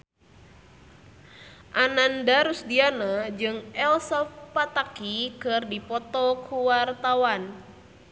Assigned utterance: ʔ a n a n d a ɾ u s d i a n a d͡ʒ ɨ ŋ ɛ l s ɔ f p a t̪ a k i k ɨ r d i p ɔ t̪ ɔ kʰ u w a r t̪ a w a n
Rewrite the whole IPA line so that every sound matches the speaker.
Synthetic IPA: ʔ a n a n d a ɾ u s d i a n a d͡ʒ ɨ ŋ ɛ l s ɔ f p a t̪ a k i k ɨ r d i p ɔ t̪ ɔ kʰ u w a r t̪ a w a n